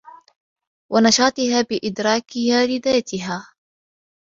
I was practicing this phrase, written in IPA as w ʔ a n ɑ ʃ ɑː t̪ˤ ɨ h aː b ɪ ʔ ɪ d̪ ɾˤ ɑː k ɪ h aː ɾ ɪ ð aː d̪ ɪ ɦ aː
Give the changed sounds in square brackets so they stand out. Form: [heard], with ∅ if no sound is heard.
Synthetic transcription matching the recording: w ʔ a n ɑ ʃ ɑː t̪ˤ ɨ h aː b ɪ ʔ ɪ d̪ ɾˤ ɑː k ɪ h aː [l] ɪ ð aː [t̪] ɪ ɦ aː

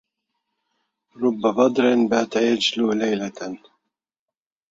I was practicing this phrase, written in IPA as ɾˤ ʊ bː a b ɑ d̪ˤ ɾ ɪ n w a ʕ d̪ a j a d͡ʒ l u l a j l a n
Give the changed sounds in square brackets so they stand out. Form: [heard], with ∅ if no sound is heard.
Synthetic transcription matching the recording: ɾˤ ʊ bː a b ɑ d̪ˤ ɾ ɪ n [b] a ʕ [t̪] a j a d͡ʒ l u l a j l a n

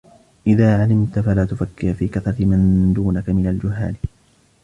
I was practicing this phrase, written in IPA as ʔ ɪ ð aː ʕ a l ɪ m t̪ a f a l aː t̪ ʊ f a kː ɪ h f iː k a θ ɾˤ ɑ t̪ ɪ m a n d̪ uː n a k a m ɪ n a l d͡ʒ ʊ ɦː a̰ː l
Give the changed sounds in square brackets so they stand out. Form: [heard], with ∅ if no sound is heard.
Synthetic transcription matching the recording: ʔ ɪ ð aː ʕ a l ɪ m t̪ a f a l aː t̪ ʊ f a kː ɪ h f iː k a θ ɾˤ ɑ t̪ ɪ m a n d̪ uː n a k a m ɪ n a l d͡ʒ ʊ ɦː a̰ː l

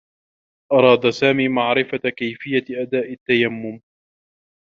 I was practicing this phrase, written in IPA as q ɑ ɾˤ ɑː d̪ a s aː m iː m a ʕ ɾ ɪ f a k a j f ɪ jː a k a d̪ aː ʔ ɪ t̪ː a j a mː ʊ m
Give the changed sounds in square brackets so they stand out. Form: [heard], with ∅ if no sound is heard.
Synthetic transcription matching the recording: [ʔ] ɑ ɾˤ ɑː d̪ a s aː m iː m a ʕ ɾ ɪ f a k a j f ɪ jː a [ʔ] a d̪ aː ʔ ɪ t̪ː a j a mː ʊ m

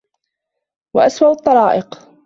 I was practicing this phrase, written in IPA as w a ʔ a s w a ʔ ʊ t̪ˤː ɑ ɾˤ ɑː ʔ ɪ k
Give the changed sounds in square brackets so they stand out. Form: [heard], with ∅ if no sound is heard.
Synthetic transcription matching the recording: w a ʔ a s w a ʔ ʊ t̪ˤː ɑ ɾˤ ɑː ʔ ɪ [q]

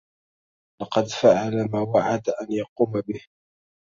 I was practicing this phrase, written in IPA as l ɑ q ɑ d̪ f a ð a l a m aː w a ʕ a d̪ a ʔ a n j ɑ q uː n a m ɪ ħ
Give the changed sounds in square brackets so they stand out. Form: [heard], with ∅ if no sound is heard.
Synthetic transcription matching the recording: l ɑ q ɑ d̪ f a [ʕ] a l a m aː w a ʕ a d̪ a ʔ a n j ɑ q uː [m] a [b] ɪ [h]

